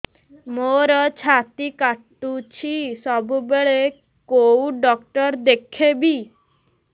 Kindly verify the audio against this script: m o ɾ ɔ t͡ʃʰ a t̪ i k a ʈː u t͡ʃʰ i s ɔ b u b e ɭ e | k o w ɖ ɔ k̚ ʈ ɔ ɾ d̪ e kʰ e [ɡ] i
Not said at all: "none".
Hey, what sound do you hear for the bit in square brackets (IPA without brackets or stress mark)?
b